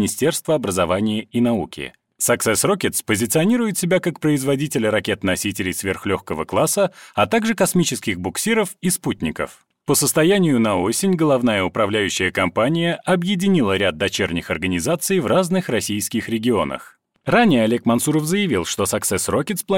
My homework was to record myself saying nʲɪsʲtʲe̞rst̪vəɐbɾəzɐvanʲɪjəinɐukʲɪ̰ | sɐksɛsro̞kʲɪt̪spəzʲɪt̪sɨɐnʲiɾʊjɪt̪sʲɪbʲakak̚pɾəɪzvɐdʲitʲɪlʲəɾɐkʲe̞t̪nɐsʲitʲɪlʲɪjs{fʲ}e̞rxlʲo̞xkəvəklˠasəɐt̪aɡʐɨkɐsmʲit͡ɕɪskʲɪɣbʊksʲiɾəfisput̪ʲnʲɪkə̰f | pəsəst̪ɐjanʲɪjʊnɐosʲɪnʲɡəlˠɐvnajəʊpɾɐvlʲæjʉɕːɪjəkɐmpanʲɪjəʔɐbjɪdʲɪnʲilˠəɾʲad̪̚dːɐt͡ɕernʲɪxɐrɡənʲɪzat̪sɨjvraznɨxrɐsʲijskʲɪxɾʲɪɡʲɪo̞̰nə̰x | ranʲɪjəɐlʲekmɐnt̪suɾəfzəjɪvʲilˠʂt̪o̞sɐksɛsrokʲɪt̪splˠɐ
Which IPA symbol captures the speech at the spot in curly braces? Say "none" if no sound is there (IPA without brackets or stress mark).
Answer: vʲ